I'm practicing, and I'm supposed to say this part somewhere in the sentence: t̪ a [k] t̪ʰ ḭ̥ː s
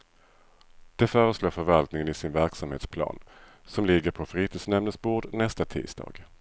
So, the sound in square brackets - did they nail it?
no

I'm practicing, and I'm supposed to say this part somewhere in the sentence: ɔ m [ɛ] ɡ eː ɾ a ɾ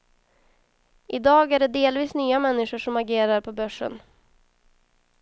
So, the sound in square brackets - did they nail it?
no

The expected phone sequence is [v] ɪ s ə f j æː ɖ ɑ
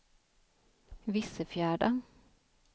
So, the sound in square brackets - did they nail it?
no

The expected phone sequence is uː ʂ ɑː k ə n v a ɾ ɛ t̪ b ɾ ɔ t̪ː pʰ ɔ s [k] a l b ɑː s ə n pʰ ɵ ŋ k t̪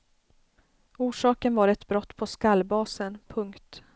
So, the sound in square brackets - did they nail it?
yes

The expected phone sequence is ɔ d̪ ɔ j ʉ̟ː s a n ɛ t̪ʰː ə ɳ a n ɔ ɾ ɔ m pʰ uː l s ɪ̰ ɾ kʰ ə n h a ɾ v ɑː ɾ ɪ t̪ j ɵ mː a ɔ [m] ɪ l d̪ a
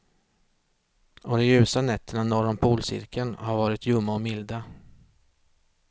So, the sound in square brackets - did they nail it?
yes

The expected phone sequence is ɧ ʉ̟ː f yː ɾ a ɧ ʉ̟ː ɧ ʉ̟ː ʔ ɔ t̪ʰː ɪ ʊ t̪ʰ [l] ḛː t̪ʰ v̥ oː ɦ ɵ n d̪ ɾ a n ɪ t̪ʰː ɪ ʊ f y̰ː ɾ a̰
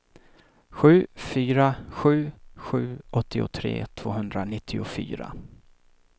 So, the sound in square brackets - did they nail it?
no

